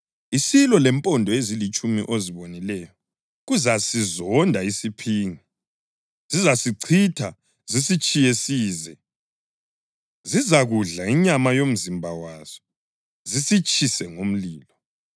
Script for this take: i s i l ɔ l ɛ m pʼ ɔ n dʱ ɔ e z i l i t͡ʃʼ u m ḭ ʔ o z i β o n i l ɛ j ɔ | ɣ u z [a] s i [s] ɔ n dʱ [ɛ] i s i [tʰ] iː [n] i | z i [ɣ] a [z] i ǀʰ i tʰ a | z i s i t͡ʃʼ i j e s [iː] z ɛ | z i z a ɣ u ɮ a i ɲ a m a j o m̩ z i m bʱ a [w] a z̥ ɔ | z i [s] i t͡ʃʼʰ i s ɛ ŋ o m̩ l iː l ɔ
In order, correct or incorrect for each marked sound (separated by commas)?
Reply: correct, incorrect, incorrect, incorrect, incorrect, incorrect, incorrect, correct, correct, correct